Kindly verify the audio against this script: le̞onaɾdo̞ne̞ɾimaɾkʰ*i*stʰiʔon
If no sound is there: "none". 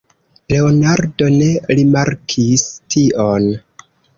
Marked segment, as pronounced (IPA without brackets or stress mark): i